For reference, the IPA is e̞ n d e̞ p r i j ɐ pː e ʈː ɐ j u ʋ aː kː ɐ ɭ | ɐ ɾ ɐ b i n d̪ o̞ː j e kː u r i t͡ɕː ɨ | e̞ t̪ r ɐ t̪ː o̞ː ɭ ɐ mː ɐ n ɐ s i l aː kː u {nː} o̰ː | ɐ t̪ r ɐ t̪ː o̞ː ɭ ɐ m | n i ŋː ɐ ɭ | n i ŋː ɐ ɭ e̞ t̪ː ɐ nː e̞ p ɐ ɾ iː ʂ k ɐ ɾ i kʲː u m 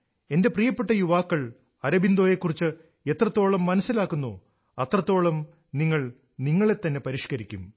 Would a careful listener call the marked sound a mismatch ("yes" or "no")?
no